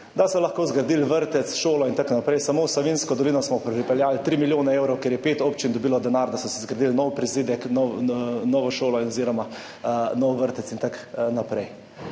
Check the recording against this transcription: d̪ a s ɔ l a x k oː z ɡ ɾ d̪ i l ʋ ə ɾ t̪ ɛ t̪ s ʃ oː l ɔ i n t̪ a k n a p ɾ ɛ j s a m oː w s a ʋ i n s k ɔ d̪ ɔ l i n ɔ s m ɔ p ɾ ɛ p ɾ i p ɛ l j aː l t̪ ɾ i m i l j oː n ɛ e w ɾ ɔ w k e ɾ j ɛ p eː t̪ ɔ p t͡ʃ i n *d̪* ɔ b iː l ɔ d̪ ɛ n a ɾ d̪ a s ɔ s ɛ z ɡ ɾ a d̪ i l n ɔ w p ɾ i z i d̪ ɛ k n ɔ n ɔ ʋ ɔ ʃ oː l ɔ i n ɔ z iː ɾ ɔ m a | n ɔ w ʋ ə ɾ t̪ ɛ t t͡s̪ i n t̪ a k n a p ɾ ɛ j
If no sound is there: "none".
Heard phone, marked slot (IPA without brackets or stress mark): d̪